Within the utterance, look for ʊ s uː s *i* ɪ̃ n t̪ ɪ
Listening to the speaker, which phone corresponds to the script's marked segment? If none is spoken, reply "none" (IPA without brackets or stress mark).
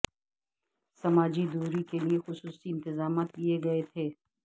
i